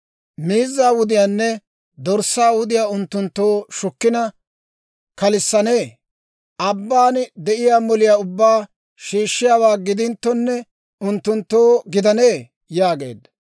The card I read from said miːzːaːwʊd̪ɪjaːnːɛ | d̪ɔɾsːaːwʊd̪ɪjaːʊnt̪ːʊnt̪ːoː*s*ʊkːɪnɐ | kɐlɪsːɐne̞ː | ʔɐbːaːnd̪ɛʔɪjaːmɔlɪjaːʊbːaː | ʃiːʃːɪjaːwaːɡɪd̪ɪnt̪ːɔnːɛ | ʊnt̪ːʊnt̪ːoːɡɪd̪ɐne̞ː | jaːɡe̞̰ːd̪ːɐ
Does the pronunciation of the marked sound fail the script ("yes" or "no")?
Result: yes